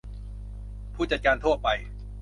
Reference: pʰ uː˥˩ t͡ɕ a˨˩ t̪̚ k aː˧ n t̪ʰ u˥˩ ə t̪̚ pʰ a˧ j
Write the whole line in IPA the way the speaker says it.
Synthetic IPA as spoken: pʰ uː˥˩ t͡ɕ a˨˩ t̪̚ k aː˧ n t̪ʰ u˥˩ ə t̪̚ p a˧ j